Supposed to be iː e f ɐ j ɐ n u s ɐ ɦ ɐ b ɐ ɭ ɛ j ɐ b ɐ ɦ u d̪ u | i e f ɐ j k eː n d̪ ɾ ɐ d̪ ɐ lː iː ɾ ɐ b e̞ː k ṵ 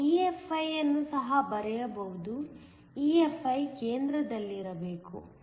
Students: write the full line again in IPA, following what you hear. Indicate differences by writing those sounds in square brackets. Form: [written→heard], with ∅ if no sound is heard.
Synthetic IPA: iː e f ɐ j ɐ [n→nː] u s ɐ ɦ ɐ b ɐ [ɭ→ɾ] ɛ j ɐ b ɐ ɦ u d̪ u | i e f ɐ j k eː n d̪ ɾ ɐ d̪ ɐ lː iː ɾ ɐ b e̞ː k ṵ